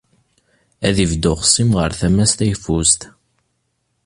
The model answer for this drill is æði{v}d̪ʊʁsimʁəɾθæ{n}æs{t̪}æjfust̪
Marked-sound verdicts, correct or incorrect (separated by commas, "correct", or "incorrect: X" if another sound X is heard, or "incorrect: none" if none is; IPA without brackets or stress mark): correct, incorrect: m, correct